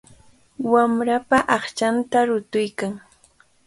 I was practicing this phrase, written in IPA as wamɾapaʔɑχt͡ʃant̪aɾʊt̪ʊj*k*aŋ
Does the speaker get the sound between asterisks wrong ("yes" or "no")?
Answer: no